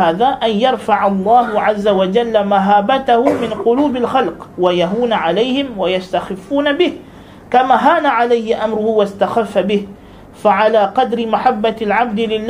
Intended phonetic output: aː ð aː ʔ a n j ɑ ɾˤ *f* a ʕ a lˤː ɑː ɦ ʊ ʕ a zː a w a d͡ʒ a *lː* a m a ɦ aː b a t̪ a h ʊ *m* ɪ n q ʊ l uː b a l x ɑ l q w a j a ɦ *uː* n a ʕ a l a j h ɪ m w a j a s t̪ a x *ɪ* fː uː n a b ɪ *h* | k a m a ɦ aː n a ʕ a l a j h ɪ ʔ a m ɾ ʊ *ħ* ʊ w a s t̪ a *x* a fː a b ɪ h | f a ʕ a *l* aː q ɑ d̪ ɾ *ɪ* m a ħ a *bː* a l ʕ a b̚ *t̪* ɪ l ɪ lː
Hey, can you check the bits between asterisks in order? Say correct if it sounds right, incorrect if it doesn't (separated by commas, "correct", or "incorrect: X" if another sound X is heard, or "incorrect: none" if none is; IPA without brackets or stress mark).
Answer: correct, correct, correct, correct, correct, correct, incorrect: h, correct, correct, correct, correct, incorrect: d̪